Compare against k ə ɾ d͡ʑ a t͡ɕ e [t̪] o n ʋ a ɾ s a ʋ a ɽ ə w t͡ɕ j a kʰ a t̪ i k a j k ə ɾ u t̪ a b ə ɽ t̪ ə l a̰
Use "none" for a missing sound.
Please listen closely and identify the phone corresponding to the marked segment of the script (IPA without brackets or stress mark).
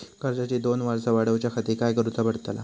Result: d̪